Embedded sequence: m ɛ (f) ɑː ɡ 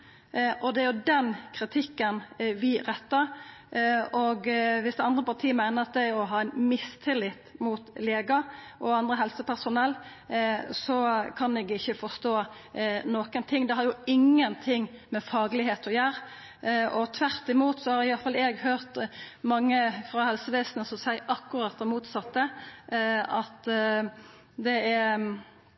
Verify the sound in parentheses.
correct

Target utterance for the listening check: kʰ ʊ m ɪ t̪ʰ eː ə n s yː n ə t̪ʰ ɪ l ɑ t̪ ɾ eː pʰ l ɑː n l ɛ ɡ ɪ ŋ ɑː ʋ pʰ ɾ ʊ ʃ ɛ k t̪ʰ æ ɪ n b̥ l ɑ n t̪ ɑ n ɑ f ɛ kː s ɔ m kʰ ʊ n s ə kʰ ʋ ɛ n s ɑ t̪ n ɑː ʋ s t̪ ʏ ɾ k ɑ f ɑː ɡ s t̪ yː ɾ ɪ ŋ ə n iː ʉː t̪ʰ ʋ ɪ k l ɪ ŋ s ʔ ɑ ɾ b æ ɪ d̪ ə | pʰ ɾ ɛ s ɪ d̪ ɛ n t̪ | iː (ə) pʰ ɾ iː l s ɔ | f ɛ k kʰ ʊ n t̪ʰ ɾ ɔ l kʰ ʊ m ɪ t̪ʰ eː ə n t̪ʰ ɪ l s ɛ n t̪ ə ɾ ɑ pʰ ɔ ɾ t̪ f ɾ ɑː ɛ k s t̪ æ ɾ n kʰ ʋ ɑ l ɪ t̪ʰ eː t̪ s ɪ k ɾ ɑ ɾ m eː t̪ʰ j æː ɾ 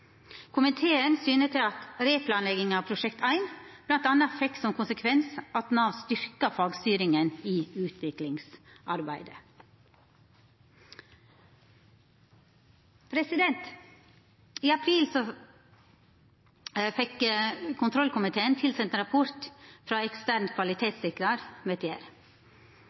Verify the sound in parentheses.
incorrect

